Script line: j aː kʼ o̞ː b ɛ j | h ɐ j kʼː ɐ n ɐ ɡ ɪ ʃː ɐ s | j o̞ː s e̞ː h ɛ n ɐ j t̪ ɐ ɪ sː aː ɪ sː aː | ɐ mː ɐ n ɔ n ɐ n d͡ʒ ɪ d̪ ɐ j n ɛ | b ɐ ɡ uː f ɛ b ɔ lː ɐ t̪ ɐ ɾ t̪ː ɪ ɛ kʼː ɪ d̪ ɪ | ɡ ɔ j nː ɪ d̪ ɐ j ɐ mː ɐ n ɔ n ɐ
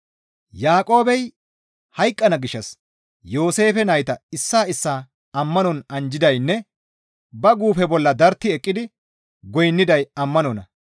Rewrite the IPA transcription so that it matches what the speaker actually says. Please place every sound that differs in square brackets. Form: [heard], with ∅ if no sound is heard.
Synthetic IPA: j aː kʼ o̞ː b ɛ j | h ɐ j kʼː ɐ n ɐ ɡ ɪ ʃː ɐ s | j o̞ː s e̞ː [f] ɛ n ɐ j t̪ ɐ ɪ sː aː ɪ sː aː | ɐ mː ɐ n ɔ n ɐ n d͡ʒ ɪ d̪ ɐ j [nː] ɛ | b ɐ ɡ uː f ɛ b ɔ lː ɐ [d̪] ɐ ɾ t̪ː ɪ ɛ kʼː ɪ d̪ ɪ | ɡ ɔ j nː ɪ d̪ ɐ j ɐ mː ɐ n ɔ n ɐ